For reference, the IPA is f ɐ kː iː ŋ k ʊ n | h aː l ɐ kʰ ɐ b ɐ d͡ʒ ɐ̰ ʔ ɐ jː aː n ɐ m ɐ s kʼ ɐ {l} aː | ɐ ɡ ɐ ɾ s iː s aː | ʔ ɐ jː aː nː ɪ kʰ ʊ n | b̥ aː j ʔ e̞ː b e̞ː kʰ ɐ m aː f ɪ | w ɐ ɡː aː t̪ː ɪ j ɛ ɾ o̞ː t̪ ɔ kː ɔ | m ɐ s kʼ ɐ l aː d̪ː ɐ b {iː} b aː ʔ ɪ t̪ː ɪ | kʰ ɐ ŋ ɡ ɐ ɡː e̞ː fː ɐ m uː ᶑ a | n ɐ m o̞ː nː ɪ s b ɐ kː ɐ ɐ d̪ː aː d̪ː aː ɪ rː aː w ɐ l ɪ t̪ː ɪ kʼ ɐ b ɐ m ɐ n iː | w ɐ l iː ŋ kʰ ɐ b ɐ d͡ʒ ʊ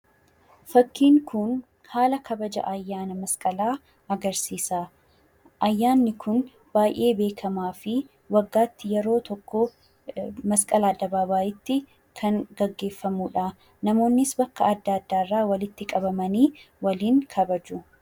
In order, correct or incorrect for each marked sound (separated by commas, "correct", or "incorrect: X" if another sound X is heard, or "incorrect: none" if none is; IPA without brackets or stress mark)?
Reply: correct, incorrect: aː